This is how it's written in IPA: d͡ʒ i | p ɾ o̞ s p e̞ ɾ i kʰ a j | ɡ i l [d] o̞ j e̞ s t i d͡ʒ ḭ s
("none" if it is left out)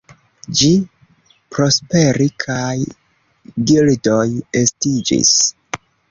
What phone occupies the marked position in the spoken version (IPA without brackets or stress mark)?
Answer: d